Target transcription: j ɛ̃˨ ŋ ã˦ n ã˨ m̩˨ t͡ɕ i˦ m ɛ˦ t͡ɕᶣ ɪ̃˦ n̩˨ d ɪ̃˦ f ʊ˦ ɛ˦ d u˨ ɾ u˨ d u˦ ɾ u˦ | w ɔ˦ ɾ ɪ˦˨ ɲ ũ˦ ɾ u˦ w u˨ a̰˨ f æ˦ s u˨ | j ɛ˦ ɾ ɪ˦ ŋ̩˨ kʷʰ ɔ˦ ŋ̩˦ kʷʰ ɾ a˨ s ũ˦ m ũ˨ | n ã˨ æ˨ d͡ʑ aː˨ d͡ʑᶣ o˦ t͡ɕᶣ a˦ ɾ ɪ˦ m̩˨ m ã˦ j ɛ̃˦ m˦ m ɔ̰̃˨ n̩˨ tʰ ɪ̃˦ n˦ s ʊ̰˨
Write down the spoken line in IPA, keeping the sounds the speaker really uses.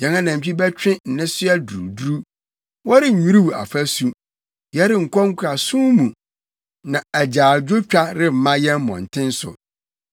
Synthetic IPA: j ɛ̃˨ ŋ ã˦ n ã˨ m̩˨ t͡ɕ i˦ b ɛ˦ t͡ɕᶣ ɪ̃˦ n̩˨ n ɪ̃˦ s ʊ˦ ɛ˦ d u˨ ɾ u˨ d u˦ ɾ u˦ | w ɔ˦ ɾ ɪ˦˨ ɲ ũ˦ ɾ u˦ w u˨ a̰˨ f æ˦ s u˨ | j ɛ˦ ɾ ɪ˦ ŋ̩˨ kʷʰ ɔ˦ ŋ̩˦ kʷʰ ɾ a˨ s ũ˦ m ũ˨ | n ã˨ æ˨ d͡ʑ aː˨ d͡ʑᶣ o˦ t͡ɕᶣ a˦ ɾ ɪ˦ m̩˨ m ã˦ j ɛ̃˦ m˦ m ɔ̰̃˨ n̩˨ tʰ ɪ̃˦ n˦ s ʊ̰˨